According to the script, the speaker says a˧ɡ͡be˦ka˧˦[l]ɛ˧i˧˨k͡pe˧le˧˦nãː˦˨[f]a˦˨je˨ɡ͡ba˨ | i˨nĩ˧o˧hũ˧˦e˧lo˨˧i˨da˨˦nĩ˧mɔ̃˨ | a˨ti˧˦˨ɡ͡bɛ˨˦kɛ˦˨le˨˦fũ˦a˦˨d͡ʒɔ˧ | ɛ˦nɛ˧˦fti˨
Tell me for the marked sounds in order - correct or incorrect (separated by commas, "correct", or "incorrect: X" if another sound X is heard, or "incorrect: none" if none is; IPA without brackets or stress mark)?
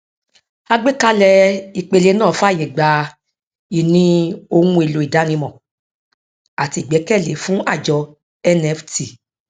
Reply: correct, correct